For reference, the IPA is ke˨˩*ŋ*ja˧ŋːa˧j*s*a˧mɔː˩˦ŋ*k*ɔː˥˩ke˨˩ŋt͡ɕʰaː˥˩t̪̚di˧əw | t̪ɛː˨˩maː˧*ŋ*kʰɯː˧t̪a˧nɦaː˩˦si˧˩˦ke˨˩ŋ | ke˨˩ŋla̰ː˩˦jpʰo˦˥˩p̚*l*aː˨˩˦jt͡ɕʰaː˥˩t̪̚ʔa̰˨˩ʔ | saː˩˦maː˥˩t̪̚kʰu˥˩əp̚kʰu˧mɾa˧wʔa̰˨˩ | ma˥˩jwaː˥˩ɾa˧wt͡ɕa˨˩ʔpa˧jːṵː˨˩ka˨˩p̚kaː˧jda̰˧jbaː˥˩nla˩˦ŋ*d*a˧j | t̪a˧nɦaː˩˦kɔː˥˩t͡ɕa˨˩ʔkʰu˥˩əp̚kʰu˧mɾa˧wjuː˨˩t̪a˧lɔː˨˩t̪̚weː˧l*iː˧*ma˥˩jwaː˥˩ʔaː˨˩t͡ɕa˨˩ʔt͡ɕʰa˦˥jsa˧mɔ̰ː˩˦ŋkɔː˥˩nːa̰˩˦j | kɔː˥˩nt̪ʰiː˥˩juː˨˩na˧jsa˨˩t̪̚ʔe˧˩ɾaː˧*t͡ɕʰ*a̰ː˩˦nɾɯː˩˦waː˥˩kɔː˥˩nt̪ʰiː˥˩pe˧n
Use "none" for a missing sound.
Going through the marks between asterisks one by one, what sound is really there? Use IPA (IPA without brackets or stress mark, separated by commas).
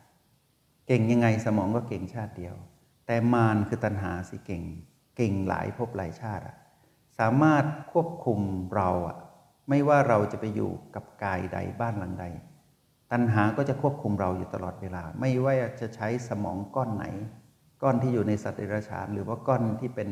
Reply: ŋ, s, k, n, l, d, aː˧, t͡ɕʰ